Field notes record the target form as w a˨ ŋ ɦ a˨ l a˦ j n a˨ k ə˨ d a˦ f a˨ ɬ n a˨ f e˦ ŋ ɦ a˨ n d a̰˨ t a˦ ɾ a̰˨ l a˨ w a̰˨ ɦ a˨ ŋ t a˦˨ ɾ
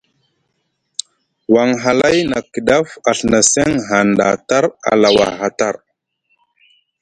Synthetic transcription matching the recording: w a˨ ŋ ɦ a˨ l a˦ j n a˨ k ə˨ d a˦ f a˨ ɬ n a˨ s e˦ ŋ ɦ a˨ n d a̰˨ t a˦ ɾ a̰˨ l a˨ w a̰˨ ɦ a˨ t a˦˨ ɾ

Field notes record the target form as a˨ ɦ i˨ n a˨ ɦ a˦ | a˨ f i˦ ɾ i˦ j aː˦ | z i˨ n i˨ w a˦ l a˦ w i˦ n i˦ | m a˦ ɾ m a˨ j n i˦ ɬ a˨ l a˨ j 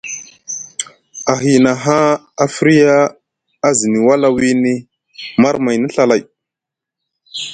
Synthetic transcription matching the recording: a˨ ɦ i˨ n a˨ ɦ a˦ | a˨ f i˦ ɾ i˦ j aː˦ | z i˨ n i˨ w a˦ l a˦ w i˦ n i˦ | m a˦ ɾ m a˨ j n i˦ ɬ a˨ l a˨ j

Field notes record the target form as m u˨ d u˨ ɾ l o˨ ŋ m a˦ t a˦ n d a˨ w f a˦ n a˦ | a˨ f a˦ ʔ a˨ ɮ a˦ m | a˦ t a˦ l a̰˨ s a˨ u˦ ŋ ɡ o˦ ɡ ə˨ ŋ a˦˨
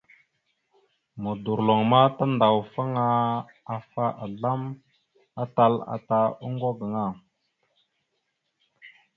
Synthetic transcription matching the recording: m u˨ d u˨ ɾ l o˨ ŋ m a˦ t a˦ n d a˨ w f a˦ ŋ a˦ | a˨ f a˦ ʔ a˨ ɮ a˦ m | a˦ t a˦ l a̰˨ t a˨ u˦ ŋ ɡ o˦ ɡ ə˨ ŋ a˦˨

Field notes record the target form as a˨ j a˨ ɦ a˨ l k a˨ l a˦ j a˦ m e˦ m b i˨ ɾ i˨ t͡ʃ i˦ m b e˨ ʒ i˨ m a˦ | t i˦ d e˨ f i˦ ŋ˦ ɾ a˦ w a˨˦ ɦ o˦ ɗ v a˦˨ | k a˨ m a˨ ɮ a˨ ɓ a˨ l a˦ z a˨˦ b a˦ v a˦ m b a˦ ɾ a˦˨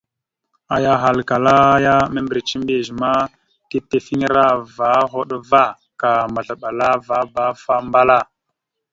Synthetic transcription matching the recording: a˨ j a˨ ɦ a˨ l k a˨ l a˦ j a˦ m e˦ m b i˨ ɾ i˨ t͡ʃ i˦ m b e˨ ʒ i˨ m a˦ | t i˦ t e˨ f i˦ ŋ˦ ɾ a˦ v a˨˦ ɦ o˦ ɗ v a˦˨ | k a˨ m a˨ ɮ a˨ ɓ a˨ l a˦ v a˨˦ b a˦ f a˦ m b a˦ l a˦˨

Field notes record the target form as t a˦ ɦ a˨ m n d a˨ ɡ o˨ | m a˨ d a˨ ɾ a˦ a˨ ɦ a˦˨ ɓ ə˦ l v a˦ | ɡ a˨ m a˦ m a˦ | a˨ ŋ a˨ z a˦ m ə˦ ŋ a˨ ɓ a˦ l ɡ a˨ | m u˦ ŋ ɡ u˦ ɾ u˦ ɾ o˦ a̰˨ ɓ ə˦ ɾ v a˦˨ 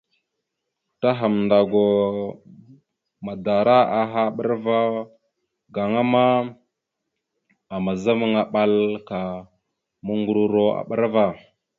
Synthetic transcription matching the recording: t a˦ ɦ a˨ m n d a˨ ɡ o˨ | m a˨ d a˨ ɾ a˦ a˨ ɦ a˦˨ ɓ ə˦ ɾ v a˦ | ɡ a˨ ŋ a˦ m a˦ | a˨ m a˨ z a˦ m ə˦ ŋ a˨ ɓ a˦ l k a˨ | m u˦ ŋ ɡ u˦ ɾ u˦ ɾ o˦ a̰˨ ɓ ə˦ ɾ v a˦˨

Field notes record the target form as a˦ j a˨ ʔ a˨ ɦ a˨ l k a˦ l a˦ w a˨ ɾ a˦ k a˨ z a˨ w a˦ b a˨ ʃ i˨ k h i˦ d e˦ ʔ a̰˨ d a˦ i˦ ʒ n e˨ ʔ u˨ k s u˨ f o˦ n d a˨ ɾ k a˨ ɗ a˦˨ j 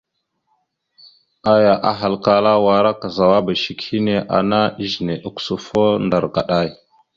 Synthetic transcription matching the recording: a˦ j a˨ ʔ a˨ ɦ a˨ l k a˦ l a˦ w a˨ ɾ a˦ k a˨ z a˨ w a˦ b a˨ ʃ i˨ k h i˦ n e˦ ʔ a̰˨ n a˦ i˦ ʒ n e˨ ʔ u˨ k s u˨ f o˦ n d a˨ ɾ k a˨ ɗ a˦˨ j

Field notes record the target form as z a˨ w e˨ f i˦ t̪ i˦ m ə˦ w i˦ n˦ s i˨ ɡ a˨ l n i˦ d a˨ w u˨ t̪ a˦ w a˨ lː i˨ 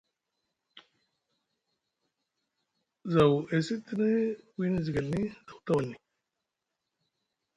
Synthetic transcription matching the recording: z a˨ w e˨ s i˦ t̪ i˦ n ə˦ w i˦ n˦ z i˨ ɡ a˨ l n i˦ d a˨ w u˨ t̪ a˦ w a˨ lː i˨

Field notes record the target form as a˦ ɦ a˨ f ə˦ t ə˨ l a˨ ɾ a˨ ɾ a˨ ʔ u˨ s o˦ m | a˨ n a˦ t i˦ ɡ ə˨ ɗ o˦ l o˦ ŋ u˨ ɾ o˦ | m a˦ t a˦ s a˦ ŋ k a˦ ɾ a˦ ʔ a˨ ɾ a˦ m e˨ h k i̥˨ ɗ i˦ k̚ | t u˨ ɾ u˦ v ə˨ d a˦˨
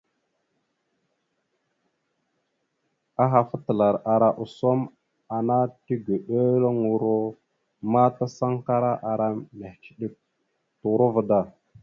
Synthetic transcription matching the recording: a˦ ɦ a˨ f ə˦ t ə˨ l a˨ ɾ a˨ ɾ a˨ ʔ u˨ s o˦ m | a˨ n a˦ t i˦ ɡ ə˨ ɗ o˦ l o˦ ŋ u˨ ɾ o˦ | m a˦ t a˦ s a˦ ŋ k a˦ ɾ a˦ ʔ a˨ ɾ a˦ m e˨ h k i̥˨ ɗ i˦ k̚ | t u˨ ɾ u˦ v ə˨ d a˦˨

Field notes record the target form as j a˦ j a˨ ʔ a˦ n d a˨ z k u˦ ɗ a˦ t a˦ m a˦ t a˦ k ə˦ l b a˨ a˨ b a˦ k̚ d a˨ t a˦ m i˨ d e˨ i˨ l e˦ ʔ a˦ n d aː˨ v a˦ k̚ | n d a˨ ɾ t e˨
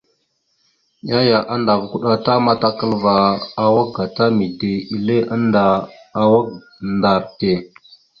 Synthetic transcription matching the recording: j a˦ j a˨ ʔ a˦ n d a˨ v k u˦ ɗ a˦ t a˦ m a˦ t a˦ k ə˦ l v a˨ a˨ w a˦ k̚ ɡ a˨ t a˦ m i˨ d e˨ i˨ l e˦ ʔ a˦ n d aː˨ w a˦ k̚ | n d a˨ ɾ t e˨

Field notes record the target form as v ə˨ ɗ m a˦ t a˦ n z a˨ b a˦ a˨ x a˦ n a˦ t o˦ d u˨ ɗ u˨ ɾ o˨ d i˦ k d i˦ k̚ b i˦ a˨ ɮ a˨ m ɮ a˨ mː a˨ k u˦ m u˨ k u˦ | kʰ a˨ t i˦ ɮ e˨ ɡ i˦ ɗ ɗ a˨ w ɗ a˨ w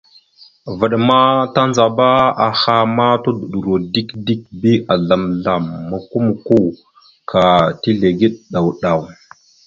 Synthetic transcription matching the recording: v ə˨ ɗ m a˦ t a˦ n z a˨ b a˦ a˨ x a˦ m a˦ t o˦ d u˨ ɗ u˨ ɾ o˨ d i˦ k d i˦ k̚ b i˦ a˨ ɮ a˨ m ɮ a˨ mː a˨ k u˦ m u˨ k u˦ | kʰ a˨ t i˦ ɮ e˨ ɡ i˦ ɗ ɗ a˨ w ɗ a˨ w

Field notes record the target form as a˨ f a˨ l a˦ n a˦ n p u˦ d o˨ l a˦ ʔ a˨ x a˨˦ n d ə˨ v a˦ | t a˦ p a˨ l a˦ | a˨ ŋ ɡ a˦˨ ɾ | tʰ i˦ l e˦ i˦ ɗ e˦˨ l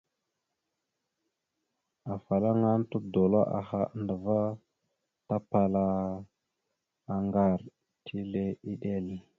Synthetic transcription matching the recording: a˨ f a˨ l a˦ ŋ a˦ n t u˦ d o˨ l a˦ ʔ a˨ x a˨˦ n d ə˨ v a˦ | t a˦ p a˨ l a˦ | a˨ ŋ ɡ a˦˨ ɾ | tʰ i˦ l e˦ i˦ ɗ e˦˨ l

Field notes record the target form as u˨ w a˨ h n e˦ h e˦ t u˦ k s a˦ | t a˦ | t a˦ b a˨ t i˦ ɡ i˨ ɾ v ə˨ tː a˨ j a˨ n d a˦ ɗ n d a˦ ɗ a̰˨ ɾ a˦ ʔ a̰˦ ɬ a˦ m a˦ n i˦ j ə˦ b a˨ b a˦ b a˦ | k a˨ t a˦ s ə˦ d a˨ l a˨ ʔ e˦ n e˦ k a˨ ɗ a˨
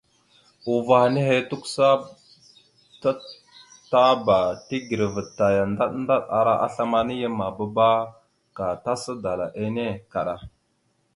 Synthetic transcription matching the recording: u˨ v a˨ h n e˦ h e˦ t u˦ k s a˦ | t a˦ | t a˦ b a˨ t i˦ ɡ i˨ ɾ v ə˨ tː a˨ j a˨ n d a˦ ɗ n d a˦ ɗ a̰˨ ɾ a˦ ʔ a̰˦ ɬ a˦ m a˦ n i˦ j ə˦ m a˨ b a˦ b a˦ | k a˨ t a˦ s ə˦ d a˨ l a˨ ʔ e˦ n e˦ k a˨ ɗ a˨

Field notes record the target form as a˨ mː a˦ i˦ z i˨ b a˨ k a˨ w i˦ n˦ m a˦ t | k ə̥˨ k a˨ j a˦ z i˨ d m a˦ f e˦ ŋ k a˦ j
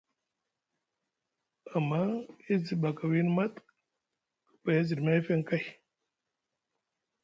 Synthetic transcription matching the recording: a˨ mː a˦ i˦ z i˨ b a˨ k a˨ w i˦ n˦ m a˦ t | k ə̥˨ p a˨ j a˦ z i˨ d m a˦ f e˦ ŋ k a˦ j

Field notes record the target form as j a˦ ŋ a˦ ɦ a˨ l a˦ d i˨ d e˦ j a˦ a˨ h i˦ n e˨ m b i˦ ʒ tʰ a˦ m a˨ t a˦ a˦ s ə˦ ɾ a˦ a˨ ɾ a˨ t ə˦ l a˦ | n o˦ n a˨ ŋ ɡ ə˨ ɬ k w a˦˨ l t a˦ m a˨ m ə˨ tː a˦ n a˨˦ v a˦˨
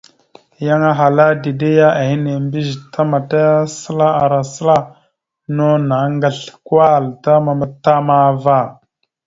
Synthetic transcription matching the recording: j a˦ ŋ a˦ ɦ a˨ l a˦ d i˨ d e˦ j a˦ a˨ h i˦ n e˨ m b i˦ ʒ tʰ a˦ m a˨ t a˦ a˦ s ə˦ l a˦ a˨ ɾ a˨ s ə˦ l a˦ | n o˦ n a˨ ŋ ɡ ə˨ ɬ k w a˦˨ l t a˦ m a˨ m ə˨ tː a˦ m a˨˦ v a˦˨

